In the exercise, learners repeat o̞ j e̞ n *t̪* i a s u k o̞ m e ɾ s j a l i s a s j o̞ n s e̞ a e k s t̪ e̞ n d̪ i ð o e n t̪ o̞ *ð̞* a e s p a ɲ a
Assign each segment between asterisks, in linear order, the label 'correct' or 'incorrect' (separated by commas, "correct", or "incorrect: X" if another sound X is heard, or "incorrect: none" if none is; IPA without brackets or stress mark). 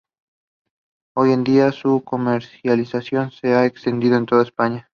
incorrect: d̪, correct